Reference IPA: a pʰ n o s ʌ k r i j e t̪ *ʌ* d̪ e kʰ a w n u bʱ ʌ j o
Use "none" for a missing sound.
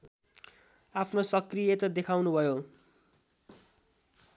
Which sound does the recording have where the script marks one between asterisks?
ʌ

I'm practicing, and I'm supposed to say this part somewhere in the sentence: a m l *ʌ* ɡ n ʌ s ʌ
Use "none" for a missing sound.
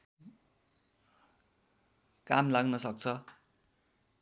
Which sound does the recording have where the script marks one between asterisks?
a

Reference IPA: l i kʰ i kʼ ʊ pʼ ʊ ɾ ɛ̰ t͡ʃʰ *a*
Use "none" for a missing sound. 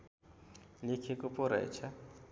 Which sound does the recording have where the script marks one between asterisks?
a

